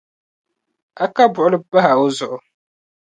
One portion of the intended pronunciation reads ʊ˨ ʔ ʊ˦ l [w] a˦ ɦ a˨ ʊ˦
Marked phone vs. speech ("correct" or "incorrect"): incorrect